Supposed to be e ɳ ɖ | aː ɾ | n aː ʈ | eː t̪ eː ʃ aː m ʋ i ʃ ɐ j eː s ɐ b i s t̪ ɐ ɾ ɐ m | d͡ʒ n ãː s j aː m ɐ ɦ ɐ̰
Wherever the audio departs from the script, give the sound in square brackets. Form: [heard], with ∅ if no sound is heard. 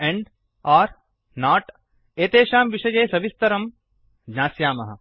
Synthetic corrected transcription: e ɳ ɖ | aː ɾ | n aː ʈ | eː t̪ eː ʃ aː m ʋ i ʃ ɐ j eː s ɐ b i s t̪ ɐ ɾ ɐ m | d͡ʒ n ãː s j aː m ɐ ɦ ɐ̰